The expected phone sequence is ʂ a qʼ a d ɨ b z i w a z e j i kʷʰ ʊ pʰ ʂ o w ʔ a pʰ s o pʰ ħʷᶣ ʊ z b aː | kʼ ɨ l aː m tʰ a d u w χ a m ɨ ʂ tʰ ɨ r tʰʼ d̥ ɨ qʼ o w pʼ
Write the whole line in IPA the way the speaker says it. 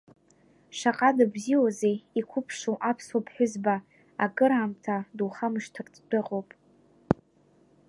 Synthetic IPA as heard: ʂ a qʼ a d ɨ b z i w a z e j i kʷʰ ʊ pʰ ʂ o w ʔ a pʰ s o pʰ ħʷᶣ ʊ z b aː | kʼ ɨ ɾ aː m tʰ a d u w χ a m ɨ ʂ tʰ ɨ r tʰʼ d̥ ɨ qʼ o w pʼ